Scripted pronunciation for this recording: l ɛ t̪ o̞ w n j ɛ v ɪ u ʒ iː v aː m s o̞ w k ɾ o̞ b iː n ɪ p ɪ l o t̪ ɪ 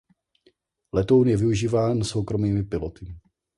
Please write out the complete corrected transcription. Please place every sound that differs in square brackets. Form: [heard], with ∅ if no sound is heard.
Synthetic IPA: l ɛ t̪ o̞ w n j ɛ v ɪ u ʒ iː v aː [n] s o̞ w k ɾ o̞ [m] iː [m] ɪ p ɪ l o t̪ ɪ